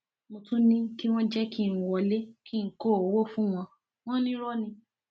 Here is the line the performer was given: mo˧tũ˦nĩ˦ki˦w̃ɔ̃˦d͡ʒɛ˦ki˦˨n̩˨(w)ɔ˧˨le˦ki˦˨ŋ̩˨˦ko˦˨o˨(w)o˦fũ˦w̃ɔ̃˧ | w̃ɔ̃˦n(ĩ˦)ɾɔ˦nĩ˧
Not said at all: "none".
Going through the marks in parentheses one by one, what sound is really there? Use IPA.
w, w, ĩ˦

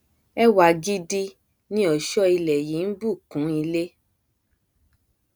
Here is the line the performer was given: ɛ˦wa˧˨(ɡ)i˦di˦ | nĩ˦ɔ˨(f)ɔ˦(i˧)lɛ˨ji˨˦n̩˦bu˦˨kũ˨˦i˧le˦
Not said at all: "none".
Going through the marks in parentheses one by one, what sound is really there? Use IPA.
ɡ, ʃ, i˧

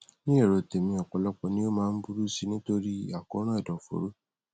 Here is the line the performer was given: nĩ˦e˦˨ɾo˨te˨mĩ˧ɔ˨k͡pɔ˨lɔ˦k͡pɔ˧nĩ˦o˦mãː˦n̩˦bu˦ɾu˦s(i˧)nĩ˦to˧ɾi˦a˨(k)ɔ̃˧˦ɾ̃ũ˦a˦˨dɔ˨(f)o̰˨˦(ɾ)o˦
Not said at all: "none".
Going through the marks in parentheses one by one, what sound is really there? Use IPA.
i˧, k, f, ɾ

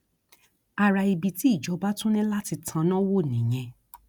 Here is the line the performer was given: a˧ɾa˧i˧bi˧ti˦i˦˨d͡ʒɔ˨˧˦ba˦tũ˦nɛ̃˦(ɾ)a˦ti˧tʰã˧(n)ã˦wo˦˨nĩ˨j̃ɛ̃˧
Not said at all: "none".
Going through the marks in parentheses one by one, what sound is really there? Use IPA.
l, n

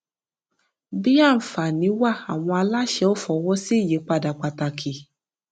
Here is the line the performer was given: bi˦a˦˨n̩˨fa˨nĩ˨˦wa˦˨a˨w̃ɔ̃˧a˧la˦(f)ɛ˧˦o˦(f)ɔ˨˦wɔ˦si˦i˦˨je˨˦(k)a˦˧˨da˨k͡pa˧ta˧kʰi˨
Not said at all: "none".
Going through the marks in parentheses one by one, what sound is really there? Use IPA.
ʃ, f, k͡p

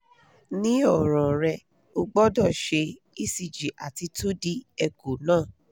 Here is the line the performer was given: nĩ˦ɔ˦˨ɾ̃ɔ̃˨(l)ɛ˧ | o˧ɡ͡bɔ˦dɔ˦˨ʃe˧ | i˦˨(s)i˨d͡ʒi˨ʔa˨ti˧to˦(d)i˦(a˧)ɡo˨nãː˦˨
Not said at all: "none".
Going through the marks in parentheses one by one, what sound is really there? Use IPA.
ɾ, s, d, ɛ˧

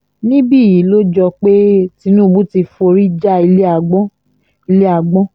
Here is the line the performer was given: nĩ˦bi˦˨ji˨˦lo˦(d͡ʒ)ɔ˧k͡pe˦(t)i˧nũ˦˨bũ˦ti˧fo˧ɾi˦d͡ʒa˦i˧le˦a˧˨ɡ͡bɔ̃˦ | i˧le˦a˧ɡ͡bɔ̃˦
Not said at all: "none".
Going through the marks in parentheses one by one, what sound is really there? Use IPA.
d͡ʒ, t

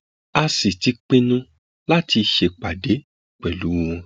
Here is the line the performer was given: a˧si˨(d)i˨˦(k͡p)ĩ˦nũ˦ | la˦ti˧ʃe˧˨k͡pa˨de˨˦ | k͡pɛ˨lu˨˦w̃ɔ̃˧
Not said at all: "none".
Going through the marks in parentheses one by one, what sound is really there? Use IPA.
t, k͡p

